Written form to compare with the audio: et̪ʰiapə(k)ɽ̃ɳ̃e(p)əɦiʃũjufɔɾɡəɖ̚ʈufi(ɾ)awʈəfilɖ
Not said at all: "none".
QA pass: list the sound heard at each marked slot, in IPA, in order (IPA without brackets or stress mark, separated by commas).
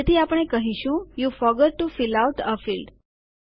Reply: none, k, l